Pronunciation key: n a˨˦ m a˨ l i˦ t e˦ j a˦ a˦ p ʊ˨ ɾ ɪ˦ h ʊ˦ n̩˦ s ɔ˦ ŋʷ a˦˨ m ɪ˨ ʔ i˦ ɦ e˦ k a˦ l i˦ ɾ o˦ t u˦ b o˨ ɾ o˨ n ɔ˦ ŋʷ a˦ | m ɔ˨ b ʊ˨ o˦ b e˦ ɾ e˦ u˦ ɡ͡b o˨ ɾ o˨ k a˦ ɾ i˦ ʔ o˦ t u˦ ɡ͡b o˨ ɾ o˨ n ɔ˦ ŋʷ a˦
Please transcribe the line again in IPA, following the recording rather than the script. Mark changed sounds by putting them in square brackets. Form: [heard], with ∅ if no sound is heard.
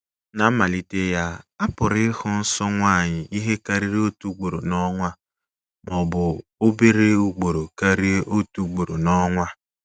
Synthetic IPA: n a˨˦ m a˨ l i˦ t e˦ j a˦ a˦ p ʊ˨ ɾ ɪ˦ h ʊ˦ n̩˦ s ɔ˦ ŋʷ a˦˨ [ɲ] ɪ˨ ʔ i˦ ɦ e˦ k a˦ [ɾ] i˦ ɾ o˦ t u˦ [ɡ͡b] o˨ ɾ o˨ n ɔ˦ ŋʷ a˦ | m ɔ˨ b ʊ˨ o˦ b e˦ ɾ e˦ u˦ ɡ͡b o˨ ɾ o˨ k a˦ ɾ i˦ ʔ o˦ t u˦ ɡ͡b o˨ ɾ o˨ n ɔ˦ ŋʷ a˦